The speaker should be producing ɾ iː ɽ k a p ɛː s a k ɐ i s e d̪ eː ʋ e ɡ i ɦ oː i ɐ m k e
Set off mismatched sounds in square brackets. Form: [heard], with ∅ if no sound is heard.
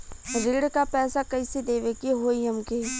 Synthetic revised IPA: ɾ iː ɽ k a p ɛː s a k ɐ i s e d̪ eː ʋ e [k] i ɦ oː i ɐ m k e